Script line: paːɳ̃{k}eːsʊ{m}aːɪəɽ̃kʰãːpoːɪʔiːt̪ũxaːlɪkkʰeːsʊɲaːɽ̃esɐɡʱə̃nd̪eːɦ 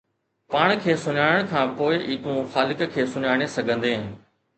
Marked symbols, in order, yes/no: no, no

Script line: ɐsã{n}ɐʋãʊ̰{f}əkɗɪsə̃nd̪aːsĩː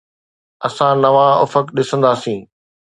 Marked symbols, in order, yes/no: yes, yes

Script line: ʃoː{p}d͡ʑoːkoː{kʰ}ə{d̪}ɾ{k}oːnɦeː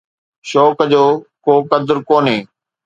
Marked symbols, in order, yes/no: no, no, yes, yes

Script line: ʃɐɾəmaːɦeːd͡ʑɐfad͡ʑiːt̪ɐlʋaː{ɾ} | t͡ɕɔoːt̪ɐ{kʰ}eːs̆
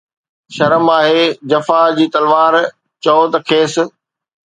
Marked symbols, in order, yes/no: yes, yes

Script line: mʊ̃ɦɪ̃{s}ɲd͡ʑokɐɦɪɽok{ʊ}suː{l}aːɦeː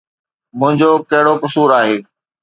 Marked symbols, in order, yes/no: no, yes, no

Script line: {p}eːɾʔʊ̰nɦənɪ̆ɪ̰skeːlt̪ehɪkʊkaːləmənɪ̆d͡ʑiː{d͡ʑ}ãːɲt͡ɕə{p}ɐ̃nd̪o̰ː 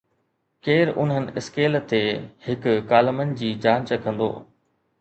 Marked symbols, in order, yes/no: no, yes, no

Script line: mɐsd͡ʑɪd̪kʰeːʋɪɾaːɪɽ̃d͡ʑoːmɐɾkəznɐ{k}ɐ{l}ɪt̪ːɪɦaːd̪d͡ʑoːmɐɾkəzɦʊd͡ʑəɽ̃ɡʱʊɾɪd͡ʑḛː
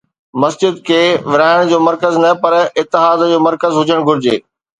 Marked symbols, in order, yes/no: no, no

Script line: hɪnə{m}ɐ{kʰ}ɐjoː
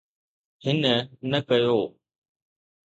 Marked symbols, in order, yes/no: no, no

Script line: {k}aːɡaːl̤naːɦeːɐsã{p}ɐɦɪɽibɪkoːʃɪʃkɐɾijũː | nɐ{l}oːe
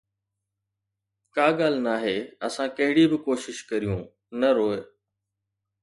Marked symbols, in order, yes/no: yes, no, no

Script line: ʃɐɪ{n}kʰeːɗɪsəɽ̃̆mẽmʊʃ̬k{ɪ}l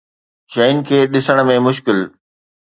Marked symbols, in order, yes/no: yes, yes

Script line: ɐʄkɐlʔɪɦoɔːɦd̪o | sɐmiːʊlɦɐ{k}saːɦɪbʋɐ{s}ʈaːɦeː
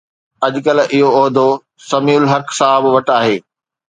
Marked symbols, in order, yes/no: yes, no

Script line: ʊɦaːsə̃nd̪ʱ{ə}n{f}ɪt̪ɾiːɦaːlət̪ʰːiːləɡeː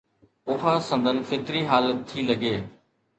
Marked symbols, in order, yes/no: yes, yes

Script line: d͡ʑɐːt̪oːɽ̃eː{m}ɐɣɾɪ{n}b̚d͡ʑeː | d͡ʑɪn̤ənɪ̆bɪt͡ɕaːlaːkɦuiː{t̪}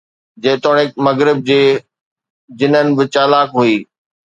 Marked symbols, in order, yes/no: yes, no, no

